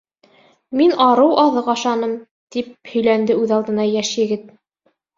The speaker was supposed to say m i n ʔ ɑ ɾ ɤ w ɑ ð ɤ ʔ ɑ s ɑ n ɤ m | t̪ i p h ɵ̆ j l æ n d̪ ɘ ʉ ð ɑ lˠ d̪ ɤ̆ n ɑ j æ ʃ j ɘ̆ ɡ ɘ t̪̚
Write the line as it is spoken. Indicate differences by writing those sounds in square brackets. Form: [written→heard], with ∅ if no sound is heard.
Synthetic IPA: m i n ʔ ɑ ɾ ɤ w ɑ ð ɤ [ʔ→q] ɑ [s→ʃ] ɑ n ɤ m | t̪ i p h ɵ̆ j l æ n d̪ ɘ ʉ ð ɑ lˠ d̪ ɤ̆ n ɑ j æ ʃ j ɘ̆ ɡ ɘ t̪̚